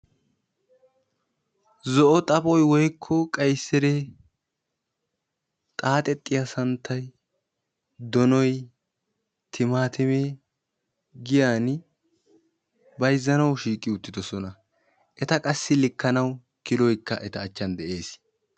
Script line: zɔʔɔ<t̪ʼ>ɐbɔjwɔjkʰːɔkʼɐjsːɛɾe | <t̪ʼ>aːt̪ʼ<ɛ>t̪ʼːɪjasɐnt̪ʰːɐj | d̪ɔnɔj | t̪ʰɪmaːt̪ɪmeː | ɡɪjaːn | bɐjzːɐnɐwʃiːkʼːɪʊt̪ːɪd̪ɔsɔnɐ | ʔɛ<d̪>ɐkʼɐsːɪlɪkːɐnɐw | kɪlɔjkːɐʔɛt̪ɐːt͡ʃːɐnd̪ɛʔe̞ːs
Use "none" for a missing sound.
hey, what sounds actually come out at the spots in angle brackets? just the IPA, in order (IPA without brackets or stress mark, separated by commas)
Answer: t̪ʼ, t̪ʼ, ɛ, t̪